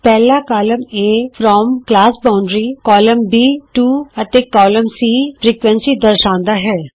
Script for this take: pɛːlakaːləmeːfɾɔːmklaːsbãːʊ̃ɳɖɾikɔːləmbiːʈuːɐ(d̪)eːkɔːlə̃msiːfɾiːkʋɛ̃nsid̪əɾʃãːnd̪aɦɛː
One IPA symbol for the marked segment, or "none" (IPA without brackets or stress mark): t̪